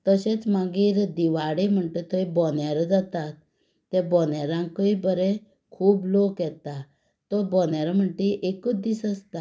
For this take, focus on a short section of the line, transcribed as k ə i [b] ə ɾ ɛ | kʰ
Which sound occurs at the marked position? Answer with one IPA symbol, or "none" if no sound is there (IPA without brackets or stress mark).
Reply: b